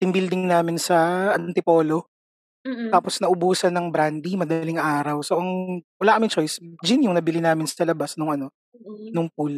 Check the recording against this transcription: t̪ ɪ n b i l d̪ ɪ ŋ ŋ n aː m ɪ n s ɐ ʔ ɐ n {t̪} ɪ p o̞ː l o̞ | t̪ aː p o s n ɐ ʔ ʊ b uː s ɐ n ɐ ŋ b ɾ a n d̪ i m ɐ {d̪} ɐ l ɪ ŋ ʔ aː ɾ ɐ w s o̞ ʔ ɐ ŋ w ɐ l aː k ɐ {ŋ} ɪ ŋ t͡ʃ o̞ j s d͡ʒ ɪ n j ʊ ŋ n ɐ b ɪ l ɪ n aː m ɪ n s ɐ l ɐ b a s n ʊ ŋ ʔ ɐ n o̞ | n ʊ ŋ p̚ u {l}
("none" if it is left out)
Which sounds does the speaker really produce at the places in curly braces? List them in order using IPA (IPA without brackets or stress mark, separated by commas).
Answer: t̪, d̪, m, l